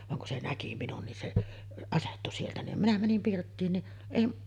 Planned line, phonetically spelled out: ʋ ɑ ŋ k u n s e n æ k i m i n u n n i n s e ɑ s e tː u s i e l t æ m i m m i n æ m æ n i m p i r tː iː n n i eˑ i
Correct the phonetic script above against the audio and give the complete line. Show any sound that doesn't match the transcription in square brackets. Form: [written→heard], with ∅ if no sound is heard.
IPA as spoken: ʋ ɑ ŋ k u n s e n æ k i m i n u n n i n s e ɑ s e tː u s i e l t æ [m→n] i m m i n æ m æ n i m p i r tː iː n n i eˑ i